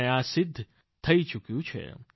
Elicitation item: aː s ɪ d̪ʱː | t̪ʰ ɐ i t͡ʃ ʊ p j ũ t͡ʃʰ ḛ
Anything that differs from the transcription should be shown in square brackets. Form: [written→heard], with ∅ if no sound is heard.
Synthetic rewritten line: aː s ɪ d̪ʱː | t̪ʰ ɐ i t͡ʃ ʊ [p→k] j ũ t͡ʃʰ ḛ